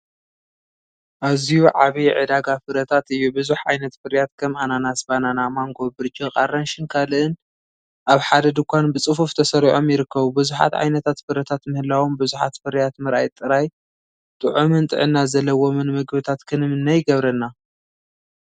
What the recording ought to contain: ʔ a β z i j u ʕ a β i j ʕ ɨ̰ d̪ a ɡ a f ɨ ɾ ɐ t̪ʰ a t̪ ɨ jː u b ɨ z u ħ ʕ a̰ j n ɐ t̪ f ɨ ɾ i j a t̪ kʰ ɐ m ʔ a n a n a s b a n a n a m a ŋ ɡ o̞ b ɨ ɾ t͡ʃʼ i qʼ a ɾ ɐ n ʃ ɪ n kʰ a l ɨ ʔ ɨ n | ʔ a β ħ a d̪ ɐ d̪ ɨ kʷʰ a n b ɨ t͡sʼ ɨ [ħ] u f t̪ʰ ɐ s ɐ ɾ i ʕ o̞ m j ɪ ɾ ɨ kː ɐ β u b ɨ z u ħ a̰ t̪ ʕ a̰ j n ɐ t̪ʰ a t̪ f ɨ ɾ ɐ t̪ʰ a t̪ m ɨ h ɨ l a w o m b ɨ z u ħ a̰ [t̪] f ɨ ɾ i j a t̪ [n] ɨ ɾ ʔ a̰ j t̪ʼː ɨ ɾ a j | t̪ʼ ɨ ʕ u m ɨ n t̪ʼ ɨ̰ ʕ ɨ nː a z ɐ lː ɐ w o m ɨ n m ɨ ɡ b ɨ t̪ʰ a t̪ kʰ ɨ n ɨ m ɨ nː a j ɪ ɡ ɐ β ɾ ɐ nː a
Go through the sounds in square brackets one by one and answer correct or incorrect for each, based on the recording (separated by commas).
incorrect, correct, incorrect